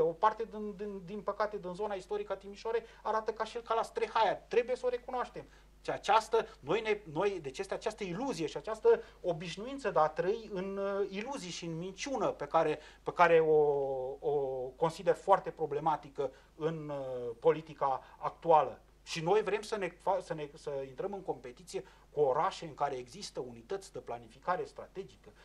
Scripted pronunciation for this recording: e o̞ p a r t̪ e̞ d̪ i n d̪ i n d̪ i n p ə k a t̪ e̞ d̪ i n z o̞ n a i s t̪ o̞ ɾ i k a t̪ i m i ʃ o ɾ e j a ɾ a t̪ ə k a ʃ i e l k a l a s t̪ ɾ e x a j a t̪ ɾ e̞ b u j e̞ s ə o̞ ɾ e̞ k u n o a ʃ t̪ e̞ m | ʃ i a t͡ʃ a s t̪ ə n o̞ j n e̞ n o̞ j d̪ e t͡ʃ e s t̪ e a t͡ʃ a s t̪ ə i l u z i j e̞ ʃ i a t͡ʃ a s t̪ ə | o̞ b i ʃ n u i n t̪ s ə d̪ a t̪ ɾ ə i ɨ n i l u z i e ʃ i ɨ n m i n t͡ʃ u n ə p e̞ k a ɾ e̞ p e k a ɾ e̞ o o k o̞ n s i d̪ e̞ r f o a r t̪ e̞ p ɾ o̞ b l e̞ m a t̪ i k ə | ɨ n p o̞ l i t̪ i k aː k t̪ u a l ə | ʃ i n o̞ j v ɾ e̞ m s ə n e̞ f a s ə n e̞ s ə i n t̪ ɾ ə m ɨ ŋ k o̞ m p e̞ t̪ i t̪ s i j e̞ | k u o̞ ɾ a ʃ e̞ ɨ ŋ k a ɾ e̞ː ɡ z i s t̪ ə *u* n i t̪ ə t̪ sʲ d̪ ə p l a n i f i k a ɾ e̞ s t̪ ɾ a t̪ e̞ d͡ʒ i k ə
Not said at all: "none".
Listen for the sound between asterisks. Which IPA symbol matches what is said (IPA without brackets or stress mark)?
u